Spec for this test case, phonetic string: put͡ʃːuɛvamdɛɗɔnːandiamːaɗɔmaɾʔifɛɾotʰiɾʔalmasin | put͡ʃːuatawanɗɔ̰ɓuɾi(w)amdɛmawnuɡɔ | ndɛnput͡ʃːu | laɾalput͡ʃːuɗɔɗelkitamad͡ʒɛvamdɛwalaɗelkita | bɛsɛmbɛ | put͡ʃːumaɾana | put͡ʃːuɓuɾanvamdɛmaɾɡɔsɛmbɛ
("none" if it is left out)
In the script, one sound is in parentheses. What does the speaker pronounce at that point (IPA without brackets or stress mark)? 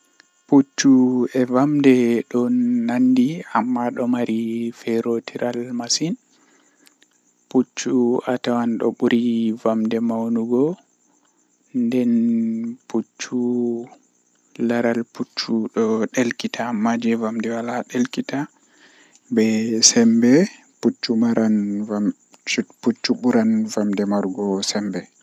v